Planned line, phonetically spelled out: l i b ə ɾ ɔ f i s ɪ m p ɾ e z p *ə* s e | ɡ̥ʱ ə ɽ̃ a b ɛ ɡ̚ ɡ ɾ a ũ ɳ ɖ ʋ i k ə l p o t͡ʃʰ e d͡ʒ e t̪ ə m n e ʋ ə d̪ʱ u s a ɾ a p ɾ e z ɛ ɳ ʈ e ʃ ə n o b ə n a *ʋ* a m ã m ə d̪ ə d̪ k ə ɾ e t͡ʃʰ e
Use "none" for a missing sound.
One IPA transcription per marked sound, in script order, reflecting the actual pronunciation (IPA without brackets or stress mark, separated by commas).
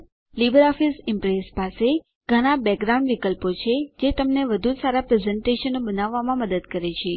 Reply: a, ʋː